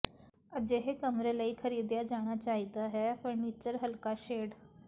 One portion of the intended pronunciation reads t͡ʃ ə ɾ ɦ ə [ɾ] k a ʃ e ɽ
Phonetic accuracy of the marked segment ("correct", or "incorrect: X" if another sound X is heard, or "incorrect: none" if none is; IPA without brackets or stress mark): incorrect: l